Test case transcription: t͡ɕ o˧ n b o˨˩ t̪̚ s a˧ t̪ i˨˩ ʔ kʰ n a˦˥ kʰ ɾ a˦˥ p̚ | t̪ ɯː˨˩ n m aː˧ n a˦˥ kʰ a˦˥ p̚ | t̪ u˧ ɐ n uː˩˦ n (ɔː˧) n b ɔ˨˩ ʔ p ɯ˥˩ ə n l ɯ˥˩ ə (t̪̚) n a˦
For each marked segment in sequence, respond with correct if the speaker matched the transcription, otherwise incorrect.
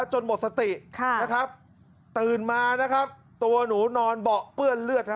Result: correct, correct

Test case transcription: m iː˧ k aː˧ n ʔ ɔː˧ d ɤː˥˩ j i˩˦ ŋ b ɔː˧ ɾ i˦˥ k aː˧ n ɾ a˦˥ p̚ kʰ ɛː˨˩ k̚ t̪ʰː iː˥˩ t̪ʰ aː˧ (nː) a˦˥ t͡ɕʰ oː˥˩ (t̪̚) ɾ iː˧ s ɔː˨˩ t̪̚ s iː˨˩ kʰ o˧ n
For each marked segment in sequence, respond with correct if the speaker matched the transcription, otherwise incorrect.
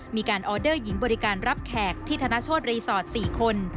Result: incorrect, correct

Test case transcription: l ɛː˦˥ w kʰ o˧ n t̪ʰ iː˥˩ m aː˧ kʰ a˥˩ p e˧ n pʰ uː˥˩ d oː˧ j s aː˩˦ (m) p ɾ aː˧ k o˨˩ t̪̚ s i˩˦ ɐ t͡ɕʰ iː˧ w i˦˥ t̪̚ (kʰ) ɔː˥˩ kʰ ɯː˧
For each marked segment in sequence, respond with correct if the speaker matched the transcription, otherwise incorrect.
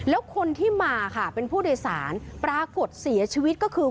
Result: incorrect, incorrect

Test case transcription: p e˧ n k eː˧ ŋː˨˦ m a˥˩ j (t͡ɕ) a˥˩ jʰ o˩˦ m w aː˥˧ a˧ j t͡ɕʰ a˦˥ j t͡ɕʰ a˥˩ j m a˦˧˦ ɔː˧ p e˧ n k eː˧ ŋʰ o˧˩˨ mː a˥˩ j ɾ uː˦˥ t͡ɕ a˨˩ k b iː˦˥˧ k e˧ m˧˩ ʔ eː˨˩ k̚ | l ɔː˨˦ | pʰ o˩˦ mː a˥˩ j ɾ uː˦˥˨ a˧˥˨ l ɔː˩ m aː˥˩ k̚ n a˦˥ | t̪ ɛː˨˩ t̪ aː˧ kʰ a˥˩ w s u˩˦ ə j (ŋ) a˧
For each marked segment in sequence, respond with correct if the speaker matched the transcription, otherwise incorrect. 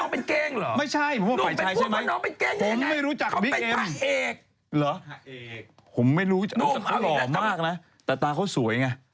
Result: incorrect, correct

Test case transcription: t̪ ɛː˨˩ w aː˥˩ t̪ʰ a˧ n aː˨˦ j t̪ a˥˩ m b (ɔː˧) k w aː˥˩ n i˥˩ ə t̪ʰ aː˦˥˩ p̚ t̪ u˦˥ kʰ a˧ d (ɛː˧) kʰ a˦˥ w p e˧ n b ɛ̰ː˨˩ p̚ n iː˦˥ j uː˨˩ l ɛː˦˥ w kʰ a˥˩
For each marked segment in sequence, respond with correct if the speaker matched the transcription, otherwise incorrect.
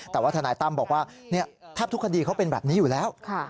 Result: incorrect, incorrect

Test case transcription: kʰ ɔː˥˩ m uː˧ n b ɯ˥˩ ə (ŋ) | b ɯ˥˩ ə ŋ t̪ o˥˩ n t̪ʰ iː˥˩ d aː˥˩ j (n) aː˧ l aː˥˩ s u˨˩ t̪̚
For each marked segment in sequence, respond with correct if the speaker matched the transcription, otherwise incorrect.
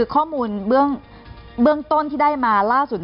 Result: correct, incorrect

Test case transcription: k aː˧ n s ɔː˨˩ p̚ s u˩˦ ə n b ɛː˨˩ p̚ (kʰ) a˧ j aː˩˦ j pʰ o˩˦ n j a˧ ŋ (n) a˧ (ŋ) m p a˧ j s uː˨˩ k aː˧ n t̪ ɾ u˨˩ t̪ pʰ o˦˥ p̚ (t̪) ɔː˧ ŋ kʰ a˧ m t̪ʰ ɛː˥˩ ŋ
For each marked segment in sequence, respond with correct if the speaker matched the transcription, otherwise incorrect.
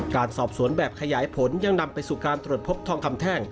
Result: correct, correct, incorrect, incorrect

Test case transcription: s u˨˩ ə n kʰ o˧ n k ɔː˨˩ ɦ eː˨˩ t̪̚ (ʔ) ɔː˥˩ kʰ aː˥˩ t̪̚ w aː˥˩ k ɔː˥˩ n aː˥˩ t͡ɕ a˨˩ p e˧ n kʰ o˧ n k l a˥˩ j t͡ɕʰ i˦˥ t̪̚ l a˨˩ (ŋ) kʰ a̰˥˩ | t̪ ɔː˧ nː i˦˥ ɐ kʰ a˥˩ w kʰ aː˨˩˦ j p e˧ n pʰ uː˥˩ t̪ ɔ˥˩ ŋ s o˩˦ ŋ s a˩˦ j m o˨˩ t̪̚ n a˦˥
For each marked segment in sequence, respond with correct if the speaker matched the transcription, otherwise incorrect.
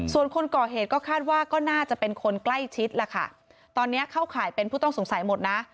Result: incorrect, incorrect

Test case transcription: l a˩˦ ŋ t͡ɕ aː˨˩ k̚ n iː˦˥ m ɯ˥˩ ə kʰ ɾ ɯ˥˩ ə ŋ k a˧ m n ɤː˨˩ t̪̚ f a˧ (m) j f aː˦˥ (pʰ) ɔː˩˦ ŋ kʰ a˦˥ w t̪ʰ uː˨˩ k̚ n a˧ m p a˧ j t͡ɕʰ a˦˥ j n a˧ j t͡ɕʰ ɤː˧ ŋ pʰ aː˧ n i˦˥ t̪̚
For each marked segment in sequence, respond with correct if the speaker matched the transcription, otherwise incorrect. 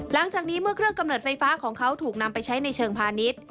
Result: incorrect, incorrect

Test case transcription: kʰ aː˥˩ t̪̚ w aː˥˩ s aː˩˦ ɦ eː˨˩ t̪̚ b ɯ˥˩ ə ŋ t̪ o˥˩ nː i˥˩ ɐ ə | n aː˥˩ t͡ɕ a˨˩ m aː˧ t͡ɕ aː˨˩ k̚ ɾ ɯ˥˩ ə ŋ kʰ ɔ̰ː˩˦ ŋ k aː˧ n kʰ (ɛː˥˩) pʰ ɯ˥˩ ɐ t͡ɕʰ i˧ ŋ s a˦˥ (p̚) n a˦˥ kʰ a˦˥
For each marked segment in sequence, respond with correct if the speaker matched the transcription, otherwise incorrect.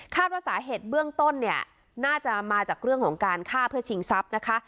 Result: incorrect, correct

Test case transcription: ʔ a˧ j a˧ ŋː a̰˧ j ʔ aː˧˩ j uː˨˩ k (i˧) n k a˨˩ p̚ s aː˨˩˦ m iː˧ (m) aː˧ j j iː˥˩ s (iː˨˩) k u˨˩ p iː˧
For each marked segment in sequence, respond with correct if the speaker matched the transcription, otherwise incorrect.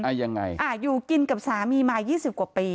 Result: correct, correct, incorrect

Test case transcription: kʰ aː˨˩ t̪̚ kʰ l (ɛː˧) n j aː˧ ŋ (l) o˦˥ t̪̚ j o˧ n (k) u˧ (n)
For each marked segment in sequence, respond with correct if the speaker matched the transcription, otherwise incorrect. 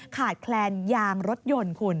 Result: correct, incorrect, incorrect, correct

